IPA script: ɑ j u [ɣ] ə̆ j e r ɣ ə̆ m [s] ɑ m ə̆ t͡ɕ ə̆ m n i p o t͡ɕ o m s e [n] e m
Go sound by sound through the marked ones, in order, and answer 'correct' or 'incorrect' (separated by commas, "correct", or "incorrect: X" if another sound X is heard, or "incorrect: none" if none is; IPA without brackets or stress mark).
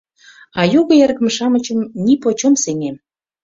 correct, incorrect: ʃ, incorrect: ŋ